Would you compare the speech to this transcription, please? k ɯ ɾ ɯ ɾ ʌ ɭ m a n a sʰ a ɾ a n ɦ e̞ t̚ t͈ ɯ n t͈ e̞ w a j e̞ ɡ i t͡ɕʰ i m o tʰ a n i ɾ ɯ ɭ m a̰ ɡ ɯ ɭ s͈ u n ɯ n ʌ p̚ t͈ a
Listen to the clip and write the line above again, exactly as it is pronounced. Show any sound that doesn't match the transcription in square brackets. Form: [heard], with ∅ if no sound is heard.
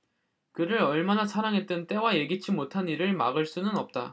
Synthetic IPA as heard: k ɯ ɾ ɯ ɾ ʌ ɭ m a n a sʰ a ɾ a [ŋ] ɦ e̞ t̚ t͈ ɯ n t͈ e̞ w a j e̞ ɡ i t͡ɕʰ i m o tʰ a n i ɾ ɯ ɭ m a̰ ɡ ɯ ɭ s͈ u n ɯ n ʌ p̚ t͈ a